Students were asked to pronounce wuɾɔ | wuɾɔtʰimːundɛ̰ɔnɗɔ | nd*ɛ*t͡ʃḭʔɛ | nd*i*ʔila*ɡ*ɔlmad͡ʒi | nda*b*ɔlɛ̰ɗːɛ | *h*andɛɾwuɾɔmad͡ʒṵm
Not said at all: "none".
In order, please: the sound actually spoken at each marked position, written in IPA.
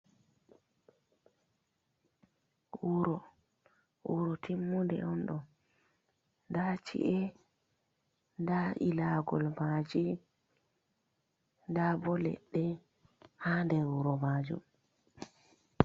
a, a, ɡ, b, h

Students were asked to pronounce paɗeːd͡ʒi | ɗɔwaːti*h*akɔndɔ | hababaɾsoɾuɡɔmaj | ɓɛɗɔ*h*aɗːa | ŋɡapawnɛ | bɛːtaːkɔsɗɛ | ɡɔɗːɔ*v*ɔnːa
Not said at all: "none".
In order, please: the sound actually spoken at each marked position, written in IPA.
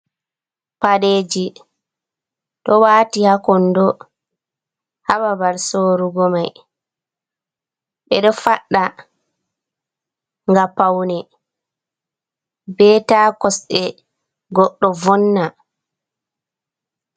h, f, v

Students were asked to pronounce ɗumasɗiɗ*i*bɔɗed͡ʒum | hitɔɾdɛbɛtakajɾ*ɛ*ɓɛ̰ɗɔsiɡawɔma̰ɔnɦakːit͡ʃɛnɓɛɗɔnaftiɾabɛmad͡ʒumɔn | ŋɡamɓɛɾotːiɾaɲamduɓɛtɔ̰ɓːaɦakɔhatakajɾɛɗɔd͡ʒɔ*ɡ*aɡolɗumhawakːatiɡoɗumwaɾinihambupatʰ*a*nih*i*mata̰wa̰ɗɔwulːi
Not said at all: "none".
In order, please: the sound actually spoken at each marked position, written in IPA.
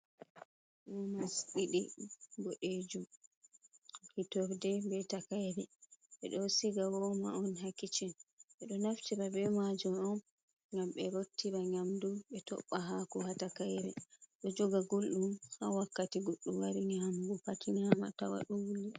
i, ɛ, ɡ, i, a

